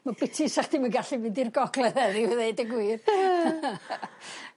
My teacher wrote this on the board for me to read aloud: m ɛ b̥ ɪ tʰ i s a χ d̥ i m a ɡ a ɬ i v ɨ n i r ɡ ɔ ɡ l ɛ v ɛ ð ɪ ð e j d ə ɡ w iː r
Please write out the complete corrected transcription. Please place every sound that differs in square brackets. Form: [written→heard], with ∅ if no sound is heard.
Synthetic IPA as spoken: m [ɛ→a] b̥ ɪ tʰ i s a χ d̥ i m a ɡ a ɬ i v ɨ [n→d] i r ɡ ɔ ɡ l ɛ [v→ð] ɛ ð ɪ ð e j d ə ɡ w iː r